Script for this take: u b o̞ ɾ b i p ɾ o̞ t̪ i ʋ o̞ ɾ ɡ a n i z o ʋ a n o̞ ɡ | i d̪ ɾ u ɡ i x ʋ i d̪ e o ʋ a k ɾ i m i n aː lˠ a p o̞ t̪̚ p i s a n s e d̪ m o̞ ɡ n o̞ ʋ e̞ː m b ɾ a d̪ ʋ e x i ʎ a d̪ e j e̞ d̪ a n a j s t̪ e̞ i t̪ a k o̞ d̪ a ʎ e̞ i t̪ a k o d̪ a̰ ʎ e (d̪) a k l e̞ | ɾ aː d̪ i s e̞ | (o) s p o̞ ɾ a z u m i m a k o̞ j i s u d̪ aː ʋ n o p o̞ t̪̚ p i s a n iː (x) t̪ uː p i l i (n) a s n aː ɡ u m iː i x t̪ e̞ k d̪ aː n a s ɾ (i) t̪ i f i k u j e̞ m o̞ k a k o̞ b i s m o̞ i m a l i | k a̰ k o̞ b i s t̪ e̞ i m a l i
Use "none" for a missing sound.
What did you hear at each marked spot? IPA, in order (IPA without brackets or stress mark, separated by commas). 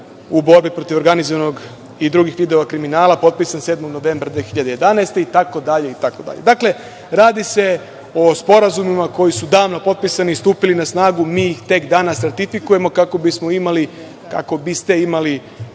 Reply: d̪, o, s, n, a